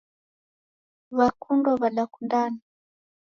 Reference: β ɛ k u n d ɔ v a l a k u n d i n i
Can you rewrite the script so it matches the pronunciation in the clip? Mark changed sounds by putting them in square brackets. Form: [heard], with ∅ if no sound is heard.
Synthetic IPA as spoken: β [a] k u n d ɔ [β] a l a k u n d [a] n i